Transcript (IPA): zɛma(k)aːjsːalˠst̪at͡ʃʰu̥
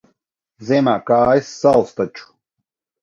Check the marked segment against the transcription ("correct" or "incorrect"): correct